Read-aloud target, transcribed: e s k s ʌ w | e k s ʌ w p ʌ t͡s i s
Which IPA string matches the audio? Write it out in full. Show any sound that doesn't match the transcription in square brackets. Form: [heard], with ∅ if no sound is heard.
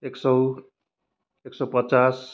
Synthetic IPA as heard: e [∅] k s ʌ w | e k s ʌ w p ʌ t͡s [a] s